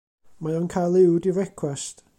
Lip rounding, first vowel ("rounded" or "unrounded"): unrounded